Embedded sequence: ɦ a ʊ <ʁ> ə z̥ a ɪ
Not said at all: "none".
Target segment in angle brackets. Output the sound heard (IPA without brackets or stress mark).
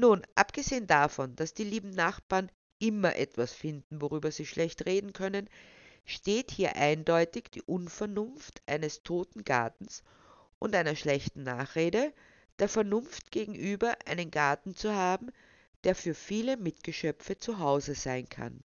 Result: z